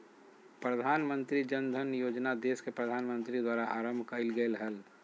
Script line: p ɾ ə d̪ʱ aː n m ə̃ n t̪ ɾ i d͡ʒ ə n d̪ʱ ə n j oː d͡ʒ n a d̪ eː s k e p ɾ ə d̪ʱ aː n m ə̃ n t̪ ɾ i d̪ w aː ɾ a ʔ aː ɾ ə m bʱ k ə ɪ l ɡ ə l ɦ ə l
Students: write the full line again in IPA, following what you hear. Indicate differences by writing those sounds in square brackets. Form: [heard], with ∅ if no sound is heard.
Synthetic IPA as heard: p ɾ ə d̪ʱ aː n m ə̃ n t̪ ɾ i d͡ʒ ə n d̪ʱ ə n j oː d͡ʒ n a d̪ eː s k e p ɾ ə d̪ʱ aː n m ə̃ n t̪ ɾ i d̪ w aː ɾ a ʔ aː ɾ ə m bʱ k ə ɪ l ɡ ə l ɦ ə l